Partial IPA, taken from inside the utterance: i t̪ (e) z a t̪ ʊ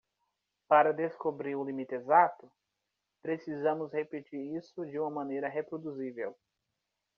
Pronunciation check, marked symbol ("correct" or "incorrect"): correct